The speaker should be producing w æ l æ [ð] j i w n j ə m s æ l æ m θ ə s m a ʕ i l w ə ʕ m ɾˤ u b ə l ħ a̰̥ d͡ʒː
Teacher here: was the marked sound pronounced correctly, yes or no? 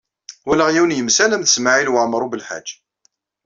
no